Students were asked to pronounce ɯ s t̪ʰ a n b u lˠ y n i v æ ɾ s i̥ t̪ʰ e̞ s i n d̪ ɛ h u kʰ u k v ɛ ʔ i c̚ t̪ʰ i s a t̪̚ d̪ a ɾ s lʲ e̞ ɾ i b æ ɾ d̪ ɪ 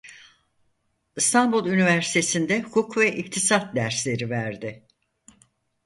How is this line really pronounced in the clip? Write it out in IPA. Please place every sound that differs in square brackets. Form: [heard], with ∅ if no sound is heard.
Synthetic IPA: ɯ s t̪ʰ a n b u lˠ y n i v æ ɾ s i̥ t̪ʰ e̞ s i n d̪ ɛ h u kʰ u k v ɛ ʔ i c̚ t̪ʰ i s a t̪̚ d̪ [æ] ɾ s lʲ e̞ ɾ i [v] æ ɾ d̪ ɪ